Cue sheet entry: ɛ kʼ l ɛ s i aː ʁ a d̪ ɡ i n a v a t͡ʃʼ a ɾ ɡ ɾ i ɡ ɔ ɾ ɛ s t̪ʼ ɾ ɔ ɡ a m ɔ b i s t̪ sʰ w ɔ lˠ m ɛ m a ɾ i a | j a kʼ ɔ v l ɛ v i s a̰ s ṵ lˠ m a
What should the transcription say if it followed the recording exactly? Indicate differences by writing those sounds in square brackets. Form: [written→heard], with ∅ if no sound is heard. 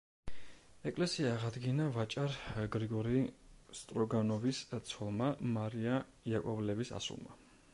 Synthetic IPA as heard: ɛ kʼ l ɛ s i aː ʁ a d̪ ɡ i n a v a t͡ʃʼ a ɾ ɡ ɾ i ɡ ɔ ɾ [ɛ→i] s t̪ʼ ɾ ɔ ɡ a [m→n] ɔ [b→v] i s t̪ sʰ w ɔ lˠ m [ɛ→a] m a ɾ i a | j a kʼ ɔ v l ɛ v i s a̰ s ṵ lˠ m a

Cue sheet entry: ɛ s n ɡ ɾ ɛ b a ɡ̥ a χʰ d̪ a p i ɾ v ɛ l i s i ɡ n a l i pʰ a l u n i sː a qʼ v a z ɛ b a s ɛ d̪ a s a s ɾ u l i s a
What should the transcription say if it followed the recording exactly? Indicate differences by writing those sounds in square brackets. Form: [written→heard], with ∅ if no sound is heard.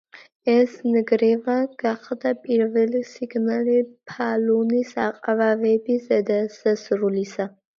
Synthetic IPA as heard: ɛ s n ɡ ɾ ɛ [b→v] a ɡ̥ a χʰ d̪ a [p→pʼ] i ɾ v ɛ l i s i ɡ n a l i pʰ a l u n i [sː→s] a qʼ v a [z→v] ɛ b [a→i] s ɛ d̪ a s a s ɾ u l i s a

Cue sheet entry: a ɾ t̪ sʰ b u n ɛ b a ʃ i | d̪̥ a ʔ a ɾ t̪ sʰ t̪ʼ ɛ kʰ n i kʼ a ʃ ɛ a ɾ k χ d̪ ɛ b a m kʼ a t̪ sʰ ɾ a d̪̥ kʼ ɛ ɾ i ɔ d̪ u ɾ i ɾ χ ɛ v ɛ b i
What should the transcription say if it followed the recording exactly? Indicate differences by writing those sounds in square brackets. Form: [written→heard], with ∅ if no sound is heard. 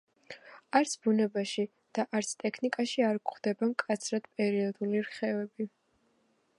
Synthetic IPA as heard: a ɾ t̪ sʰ b u n ɛ b a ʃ i | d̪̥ a ʔ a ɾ t̪ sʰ t̪ʼ ɛ kʰ n i kʼ a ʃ [ɛ→i] a ɾ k χ d̪ ɛ b a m kʼ a t̪ sʰ ɾ a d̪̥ [kʼ→pʼ] ɛ ɾ i ɔ d̪ u [ɾ→l] i ɾ χ ɛ v ɛ b i

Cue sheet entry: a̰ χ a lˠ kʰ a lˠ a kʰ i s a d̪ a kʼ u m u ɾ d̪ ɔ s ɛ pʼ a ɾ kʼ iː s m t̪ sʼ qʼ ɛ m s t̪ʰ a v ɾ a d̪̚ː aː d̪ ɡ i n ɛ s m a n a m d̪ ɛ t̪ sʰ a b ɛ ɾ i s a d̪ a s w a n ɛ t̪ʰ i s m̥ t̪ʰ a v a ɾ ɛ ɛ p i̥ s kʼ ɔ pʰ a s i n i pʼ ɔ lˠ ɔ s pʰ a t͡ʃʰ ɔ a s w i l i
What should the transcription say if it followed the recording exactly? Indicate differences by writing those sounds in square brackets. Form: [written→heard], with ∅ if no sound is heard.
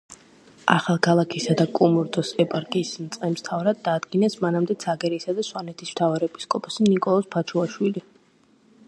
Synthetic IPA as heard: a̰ χ a lˠ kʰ a lˠ a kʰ i s a d̪ a kʼ u m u ɾ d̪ ɔ s ɛ pʼ a ɾ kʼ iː s m t̪ sʼ qʼ ɛ m s t̪ʰ a v ɾ a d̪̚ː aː d̪ ɡ i n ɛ s m a n a m d̪ ɛ t̪ sʰ a [b→ɡ] ɛ ɾ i s a d̪ a s w a n ɛ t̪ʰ i s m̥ t̪ʰ a v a ɾ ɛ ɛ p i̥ s kʼ ɔ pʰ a s i n i [pʼ→kʼ] ɔ lˠ ɔ s pʰ a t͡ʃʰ [ɔ→u] a [s→ʃ] w i l i

